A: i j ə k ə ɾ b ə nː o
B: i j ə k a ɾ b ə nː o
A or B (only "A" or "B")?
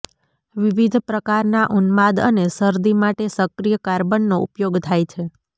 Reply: B